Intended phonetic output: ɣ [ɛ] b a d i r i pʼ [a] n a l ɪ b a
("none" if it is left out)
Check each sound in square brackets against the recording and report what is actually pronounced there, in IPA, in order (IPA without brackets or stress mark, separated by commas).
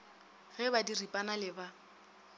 ɛ, a